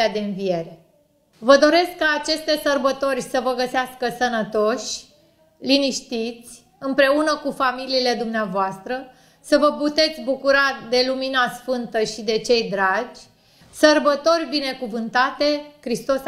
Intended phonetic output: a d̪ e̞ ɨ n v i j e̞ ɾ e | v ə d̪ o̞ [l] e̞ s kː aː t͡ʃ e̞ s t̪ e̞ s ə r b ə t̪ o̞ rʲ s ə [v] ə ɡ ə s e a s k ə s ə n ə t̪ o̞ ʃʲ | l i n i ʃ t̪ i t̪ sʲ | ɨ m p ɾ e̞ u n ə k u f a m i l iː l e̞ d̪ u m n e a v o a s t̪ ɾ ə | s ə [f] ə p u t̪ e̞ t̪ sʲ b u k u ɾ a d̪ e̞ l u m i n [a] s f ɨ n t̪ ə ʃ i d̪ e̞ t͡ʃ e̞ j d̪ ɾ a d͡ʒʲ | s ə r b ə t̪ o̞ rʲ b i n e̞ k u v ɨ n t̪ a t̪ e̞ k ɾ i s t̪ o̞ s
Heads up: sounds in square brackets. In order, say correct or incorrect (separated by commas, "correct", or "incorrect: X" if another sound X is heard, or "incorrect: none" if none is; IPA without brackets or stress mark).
incorrect: ɾ, correct, incorrect: v, correct